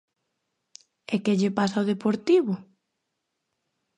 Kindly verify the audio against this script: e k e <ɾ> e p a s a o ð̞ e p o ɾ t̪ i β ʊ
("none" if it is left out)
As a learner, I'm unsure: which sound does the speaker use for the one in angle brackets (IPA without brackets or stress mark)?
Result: ʎ